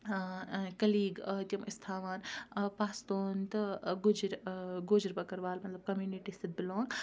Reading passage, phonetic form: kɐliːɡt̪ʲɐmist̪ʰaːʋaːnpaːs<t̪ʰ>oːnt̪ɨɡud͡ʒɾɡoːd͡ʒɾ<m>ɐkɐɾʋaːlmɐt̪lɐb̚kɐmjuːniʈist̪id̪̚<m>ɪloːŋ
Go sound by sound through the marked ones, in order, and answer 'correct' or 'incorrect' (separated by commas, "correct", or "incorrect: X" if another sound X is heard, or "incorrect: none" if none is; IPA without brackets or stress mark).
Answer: incorrect: t̪, incorrect: b, incorrect: b